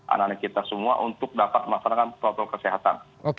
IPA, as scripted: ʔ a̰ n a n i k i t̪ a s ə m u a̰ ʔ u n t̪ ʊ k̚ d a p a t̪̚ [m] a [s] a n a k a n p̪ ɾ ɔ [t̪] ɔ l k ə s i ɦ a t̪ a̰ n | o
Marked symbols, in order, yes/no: yes, yes, yes

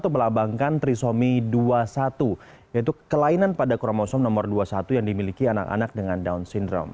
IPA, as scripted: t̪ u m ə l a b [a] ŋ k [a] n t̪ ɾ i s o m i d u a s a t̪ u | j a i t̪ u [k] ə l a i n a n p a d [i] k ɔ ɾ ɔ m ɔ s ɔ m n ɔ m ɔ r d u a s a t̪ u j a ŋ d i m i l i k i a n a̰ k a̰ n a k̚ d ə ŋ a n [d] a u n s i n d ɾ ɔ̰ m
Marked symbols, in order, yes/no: yes, yes, yes, no, yes

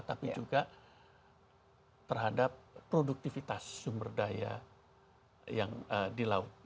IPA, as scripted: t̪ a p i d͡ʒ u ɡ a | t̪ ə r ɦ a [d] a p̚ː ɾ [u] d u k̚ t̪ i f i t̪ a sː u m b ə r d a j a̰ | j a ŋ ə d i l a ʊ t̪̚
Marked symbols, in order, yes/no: yes, no

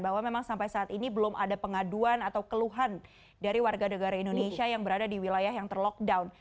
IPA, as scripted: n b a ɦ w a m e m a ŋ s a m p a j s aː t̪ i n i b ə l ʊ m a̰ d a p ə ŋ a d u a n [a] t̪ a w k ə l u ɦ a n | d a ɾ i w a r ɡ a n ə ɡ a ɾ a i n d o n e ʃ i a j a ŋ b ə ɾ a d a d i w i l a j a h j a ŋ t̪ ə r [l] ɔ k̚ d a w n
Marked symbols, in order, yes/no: yes, yes

